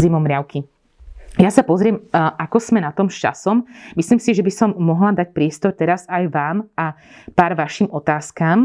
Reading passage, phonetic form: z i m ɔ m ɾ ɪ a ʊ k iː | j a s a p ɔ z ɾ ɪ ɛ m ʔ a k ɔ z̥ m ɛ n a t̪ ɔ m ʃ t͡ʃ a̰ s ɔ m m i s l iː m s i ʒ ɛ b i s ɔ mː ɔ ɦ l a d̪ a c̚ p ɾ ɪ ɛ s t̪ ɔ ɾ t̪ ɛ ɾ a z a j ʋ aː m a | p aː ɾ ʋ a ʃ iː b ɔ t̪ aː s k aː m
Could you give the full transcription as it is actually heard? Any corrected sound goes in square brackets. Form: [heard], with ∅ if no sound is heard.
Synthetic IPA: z i m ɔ m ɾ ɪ a ʊ k [i] | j a s a p ɔ z ɾ ɪ ɛ m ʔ a k ɔ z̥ m ɛ n a t̪ ɔ m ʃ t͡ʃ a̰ s ɔ m m i s l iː m s i ʒ ɛ b i s ɔ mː ɔ ɦ l a d̪ a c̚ p ɾ ɪ ɛ s t̪ ɔ ɾ t̪ ɛ ɾ a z a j ʋ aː m a | p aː ɾ ʋ a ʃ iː [m] ɔ t̪ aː s k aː m